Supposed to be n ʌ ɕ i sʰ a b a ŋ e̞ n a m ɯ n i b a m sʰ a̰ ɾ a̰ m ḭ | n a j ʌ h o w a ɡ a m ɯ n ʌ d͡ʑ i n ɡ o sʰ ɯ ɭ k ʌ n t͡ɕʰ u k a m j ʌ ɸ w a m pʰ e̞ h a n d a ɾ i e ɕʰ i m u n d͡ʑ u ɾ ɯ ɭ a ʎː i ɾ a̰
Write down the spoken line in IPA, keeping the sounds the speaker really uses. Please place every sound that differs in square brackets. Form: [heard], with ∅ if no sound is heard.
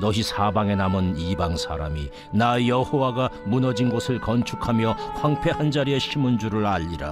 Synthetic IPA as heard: n ʌ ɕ i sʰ a b a ŋ e̞ n a m ɯ n i b a [ŋ] sʰ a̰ ɾ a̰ m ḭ | n a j ʌ h o w a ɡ a m [u] n ʌ d͡ʑ i n ɡ o sʰ ɯ ɭ k ʌ n t͡ɕʰ u [kʰ] a m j ʌ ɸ w a [ŋ] pʰ e̞ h a n [d͡ʑ] a ɾ i e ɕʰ i m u n d͡ʑ u ɾ ɯ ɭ a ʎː i ɾ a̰